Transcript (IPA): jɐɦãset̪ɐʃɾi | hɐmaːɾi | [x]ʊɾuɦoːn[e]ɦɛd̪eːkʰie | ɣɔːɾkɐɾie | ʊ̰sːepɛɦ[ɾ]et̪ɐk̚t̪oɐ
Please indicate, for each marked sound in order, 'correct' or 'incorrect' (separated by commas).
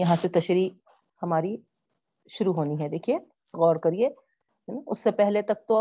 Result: incorrect, incorrect, incorrect